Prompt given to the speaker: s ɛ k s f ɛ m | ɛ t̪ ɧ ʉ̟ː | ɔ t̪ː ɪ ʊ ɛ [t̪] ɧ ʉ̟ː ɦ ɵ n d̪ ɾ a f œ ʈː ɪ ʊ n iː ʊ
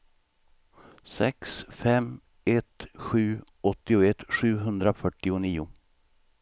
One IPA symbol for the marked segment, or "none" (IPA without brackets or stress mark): t̪